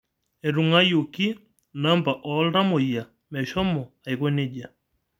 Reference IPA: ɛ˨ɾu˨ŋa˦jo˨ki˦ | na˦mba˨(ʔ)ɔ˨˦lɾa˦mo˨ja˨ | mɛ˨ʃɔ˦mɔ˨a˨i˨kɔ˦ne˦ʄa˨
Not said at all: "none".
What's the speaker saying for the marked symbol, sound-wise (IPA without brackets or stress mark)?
ʔ